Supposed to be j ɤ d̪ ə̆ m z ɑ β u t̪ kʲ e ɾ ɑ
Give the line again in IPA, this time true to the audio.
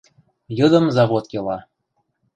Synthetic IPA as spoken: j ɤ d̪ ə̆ m z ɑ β o t̪ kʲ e l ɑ

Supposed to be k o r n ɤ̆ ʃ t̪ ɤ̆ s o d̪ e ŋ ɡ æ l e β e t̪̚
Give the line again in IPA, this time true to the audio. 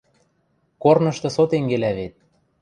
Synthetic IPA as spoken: k o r n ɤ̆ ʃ t̪ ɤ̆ s o t̪ e ŋ ɡ e l æ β e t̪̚

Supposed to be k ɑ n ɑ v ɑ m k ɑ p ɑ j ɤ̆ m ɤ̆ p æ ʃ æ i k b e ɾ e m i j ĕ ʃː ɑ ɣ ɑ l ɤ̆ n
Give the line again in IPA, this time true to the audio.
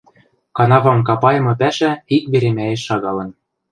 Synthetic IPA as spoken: k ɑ n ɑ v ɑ m k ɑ p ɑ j ɤ̆ m ɤ̆ p æ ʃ æ i k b e ɾ e m æ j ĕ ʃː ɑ ɣ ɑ l ɤ̆ n

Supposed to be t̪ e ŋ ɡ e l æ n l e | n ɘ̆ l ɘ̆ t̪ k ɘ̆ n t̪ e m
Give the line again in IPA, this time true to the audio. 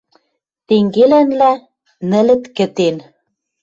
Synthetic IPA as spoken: t̪ e ŋ ɡ e l æ n l æ | n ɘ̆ l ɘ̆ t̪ k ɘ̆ t̪ e n

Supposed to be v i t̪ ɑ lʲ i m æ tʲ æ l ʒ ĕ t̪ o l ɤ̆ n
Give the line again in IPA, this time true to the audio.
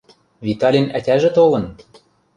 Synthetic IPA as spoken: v i t̪ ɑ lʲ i n æ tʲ æ ʒ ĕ t̪ o l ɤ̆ n

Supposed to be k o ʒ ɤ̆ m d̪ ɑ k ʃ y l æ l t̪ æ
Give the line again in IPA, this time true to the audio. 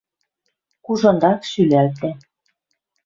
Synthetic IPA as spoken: k u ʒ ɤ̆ n d̪ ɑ k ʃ y l æ l t̪ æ

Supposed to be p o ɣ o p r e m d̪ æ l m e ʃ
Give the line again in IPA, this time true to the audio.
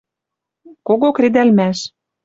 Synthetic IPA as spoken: k o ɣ o k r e d̪ æ l m æ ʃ

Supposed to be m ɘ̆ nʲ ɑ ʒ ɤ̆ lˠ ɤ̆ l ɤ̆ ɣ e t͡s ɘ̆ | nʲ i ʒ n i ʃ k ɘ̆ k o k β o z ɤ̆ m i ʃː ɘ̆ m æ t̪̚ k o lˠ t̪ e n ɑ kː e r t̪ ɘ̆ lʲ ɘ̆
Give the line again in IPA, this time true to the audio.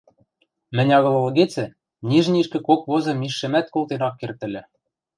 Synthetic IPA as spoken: m ɘ̆ nʲ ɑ ɣ ɤ̆ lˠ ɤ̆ l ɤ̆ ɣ e t͡s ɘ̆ | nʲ i ʒ n i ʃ k ɘ̆ k o k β o z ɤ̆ m i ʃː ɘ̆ m æ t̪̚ k o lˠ t̪ e n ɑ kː e r t̪ ɘ̆ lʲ ɘ̆

